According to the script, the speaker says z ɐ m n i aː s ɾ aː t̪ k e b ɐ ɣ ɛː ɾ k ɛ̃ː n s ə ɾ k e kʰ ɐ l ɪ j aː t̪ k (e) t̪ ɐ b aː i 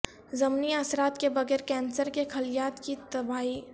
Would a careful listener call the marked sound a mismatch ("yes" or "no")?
yes